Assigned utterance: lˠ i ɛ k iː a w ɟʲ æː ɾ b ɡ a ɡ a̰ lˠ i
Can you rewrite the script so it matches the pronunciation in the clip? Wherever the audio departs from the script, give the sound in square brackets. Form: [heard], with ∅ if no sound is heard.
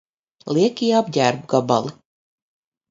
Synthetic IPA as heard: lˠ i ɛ k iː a [b] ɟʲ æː ɾ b ɡ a [b] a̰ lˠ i